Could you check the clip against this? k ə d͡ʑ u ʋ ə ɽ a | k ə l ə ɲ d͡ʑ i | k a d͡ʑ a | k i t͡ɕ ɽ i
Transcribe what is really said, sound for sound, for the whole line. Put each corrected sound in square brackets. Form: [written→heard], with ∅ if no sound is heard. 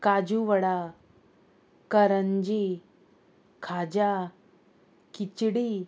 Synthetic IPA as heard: k [ə→a] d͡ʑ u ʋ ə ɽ a | k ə [l→ɾ] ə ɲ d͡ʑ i | [k→kʰ] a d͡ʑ a | k i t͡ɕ ɽ i